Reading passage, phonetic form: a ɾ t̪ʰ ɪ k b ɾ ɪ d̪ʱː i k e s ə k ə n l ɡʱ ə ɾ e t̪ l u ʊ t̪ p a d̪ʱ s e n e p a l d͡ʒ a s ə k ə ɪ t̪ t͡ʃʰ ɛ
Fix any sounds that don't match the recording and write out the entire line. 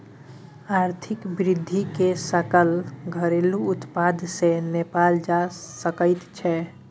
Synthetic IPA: a ɾ t̪ʰ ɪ k b ɾ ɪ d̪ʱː i k e s ə k ə l ɡʱ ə ɾ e l u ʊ t̪ p a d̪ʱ s e n e p a l d͡ʒ a s ə k ə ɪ t̪ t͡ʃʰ ɛ

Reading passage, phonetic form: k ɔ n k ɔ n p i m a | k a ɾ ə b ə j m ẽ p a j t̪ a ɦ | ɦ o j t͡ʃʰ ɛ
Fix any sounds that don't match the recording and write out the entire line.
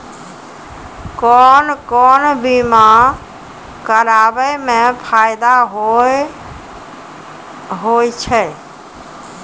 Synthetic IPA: k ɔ n k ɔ n b i m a | k ə ɾ a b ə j m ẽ pʰ a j d̪ a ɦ | ɦ o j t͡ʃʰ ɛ

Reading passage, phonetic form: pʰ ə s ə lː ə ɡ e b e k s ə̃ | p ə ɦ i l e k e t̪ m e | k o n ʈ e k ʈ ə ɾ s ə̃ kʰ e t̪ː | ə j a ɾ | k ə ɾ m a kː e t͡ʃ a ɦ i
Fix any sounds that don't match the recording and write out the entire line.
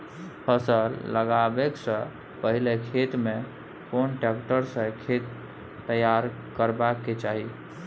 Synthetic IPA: pʰ ə s ə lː ə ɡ a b e k s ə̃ | p ə ɦ i l e kʰ e t̪ m e | k o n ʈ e k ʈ ə ɾ s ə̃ kʰ e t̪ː | ə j a ɾ | k ə ɾ b a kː e t͡ʃ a ɦ i

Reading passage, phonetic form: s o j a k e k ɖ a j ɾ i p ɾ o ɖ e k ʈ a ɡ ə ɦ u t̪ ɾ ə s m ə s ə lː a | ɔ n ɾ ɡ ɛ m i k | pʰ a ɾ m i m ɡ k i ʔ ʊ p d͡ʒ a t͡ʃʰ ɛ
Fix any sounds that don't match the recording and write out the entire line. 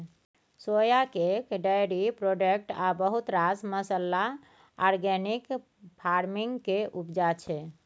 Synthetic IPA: s o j a k e k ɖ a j ɾ i p ɾ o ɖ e k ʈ a b ə ɦ u t̪ ɾ a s m ə s ə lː a | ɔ ɾ ɡ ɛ n i k | pʰ a ɾ m i ŋ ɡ k e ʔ u p d͡ʒ a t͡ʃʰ ɛ

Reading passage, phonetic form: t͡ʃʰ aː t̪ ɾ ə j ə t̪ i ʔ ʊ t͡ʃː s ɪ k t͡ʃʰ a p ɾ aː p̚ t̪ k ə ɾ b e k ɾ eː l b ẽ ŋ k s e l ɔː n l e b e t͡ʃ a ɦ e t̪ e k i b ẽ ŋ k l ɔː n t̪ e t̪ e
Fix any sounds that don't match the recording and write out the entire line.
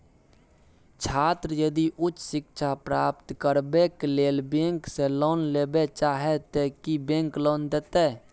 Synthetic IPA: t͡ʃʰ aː t̪ ɾ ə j ə d̪ i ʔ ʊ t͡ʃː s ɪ k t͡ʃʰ a p ɾ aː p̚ t̪ k ə ɾ b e k l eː l b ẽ ŋ k s e l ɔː n l e b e t͡ʃ a ɦ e t̪ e k i b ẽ ŋ k l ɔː n d̪ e t̪ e

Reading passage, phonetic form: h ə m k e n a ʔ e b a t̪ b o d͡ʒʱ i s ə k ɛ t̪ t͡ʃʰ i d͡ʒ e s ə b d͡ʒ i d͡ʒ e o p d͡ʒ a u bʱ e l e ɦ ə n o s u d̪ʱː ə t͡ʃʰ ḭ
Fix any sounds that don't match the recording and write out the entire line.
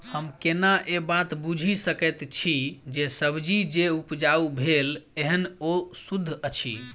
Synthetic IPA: h ə m k e n a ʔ e b a t̪ b u d͡ʒʱ i s ə k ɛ t̪ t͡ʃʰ i d͡ʒ e s ə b d͡ʒ i d͡ʒ e u p d͡ʒ a u bʱ e l e ɦ ə n o s u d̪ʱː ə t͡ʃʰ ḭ

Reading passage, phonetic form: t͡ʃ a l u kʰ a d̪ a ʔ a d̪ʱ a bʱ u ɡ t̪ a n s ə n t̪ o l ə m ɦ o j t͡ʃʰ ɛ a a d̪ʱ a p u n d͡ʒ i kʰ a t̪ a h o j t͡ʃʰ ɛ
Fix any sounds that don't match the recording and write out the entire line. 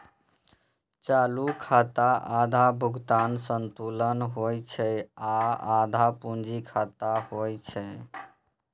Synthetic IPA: t͡ʃ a l u kʰ a t̪ a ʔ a d̪ʱ a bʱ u ɡ t̪ a n s ə n t̪ u l ə n ɦ o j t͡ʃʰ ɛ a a d̪ʱ a p u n d͡ʒ i kʰ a t̪ a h o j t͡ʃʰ ɛ

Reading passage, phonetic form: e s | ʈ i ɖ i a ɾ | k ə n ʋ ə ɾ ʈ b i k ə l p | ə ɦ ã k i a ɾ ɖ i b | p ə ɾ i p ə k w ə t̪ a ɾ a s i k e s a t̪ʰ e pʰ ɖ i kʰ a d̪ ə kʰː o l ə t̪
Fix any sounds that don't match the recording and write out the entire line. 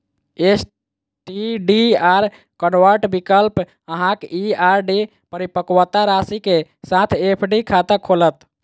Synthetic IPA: e s | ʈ i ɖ i a ɾ | k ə n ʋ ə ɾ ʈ b i k ə l p | ə ɦ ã k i a ɾ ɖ i | p ə ɾ i p ə k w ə t̪ a ɾ a s i k e s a t̪ʰ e pʰ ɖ i kʰ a t̪ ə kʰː o l ə t̪

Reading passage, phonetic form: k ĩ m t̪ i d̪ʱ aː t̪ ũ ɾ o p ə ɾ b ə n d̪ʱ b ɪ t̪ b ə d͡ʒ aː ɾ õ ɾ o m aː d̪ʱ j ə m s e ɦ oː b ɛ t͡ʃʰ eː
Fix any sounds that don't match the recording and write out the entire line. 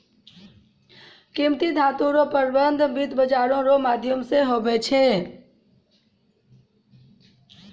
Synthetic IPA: k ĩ m t̪ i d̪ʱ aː t̪ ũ ɾ o p ə ɾ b ə n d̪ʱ b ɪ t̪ b ə d͡ʒ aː ɾ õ ɾ o m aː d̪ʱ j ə m s e ɦ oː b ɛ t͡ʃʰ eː

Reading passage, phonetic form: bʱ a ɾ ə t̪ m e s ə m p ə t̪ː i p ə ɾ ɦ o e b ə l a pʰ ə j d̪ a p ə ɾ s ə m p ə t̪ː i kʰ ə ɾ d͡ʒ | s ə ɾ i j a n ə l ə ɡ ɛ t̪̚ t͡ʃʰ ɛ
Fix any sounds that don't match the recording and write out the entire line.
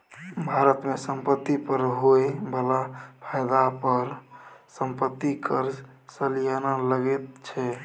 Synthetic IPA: bʱ a ɾ ə t̪ m e s ə m p ə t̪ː i p ə ɾ ɦ o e b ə l a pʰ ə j d̪ a p ə ɾ s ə m p ə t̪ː i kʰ ə ɾ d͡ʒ | s ə l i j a n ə l ə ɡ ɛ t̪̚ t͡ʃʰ ɛ

